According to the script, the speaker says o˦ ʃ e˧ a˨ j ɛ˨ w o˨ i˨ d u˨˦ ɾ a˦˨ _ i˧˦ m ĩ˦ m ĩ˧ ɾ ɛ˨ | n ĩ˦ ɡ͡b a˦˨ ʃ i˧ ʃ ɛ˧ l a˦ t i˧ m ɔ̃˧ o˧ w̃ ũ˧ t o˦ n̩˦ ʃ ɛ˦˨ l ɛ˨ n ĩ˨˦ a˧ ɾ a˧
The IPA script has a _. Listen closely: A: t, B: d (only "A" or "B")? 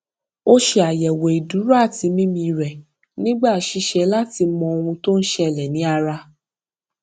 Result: A